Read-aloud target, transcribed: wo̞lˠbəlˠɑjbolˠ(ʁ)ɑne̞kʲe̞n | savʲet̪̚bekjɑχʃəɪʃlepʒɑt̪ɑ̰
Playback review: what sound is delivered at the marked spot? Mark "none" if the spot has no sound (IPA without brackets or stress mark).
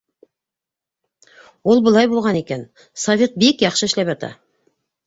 ʁ